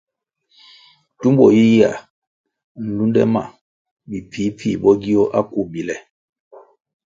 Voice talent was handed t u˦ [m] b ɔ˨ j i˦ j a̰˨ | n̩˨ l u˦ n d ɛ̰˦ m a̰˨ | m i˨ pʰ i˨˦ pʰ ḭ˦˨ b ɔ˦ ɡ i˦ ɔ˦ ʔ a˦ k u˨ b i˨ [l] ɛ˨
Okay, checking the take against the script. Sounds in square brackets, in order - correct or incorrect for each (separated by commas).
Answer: correct, correct